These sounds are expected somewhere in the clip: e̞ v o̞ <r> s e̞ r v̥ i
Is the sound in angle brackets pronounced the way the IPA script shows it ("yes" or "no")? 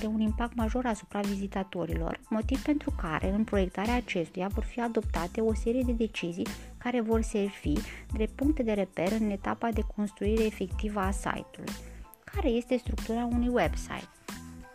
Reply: yes